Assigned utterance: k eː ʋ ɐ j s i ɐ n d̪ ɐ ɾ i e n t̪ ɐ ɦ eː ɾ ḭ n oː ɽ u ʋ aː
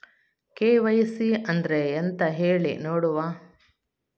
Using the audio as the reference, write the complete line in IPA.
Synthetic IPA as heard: k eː ʋ ɐ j s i ɐ n d̪ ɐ ɾ e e n t̪ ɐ ɦ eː ɭ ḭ n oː ɽ u ʋ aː